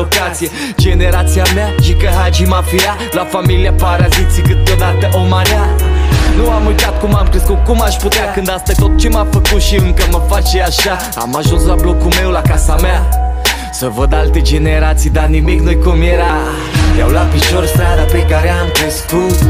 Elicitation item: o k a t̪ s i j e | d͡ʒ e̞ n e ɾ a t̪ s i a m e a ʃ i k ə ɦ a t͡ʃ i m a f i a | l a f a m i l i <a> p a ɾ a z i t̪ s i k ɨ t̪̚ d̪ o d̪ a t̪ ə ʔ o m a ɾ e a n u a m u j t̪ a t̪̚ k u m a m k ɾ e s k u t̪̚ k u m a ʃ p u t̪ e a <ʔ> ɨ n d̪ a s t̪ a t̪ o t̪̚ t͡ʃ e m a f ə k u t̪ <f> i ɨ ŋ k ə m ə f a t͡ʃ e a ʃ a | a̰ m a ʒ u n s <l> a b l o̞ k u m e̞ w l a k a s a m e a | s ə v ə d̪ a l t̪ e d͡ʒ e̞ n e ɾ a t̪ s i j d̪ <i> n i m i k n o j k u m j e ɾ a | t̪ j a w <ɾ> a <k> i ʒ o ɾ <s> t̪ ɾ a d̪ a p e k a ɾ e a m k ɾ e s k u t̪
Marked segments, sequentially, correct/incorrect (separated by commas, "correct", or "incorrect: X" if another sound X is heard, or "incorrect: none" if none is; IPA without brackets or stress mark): correct, incorrect: k, incorrect: ʃ, correct, incorrect: a, incorrect: l, incorrect: p, correct